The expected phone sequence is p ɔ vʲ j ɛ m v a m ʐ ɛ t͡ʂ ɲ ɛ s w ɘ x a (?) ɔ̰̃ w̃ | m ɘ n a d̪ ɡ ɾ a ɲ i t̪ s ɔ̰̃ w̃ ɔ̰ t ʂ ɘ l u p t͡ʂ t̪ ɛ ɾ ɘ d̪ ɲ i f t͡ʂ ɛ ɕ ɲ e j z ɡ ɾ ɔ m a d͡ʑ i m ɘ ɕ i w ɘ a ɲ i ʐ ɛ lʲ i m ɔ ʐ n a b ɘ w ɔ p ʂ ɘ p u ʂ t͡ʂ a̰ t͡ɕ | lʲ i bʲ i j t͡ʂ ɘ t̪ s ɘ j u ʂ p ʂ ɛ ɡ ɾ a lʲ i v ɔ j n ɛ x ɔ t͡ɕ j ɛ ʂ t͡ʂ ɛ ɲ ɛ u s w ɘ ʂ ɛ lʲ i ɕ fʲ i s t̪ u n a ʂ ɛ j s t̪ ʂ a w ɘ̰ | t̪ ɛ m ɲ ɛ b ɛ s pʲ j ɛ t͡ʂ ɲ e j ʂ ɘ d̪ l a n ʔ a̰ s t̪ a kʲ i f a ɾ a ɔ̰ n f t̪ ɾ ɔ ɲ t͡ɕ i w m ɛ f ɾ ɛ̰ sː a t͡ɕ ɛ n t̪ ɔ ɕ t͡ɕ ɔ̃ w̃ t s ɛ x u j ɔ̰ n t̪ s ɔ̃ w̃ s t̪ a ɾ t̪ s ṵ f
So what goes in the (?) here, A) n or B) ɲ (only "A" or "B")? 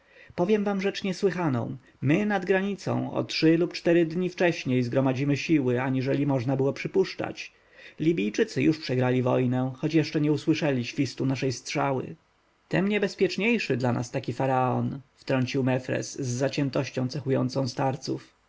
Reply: A